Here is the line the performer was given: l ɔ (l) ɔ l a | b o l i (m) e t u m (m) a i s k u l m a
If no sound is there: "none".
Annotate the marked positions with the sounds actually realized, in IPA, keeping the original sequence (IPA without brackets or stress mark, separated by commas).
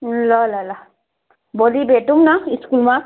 l, b, n